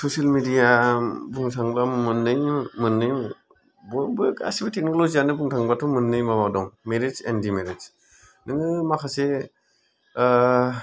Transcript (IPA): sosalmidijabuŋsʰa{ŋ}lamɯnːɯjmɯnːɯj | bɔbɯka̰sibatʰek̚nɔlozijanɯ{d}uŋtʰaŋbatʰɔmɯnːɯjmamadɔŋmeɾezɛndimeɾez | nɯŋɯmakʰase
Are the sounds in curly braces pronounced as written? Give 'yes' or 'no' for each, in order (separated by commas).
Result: yes, no